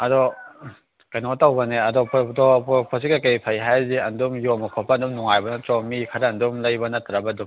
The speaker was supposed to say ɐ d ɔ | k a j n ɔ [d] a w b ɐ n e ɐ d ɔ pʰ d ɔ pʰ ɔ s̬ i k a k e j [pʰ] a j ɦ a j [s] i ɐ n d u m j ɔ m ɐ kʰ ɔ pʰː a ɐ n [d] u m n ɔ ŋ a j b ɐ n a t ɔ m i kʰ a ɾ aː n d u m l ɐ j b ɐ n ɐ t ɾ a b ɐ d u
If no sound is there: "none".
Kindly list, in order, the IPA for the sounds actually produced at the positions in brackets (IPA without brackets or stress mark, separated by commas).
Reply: t, pʰ, z, d